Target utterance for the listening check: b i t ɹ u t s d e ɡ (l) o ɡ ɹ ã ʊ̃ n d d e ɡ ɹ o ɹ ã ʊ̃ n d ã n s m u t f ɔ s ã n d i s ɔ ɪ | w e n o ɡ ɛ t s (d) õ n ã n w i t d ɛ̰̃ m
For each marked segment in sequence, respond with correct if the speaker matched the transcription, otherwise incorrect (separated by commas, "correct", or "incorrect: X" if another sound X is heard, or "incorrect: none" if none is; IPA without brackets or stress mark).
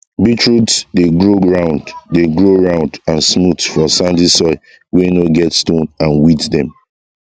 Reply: incorrect: ɹ, incorrect: t